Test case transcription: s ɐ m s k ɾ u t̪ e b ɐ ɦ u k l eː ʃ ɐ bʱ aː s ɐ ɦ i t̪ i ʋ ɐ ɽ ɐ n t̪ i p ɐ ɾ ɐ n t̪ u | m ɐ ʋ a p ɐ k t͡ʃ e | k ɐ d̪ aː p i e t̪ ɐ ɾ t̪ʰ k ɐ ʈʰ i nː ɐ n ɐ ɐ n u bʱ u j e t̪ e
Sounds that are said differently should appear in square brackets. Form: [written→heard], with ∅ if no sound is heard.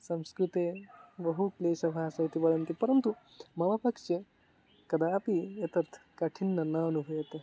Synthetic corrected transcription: s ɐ m s k ɾ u t̪ e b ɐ ɦ u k l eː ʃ ɐ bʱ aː s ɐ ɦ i t̪ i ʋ ɐ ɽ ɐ n t̪ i p ɐ ɾ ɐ n t̪ u | m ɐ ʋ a p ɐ k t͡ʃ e | k ɐ d̪ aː p i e t̪ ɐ ɾ t̪ʰ k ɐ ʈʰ i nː ɐ n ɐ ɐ n u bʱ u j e t̪ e